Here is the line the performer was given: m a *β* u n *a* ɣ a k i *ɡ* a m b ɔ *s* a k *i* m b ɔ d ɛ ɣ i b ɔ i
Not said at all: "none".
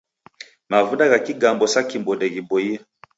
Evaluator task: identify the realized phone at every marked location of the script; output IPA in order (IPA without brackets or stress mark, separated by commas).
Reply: v, a, ɡ, s, i